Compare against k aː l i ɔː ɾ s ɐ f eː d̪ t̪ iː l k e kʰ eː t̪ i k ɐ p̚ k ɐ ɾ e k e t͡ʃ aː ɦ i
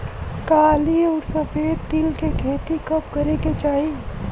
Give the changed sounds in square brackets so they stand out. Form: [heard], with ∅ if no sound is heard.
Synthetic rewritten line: k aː l i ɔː ɾ s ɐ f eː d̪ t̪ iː l k e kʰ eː t̪ i k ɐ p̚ k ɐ ɾ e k e t͡ʃ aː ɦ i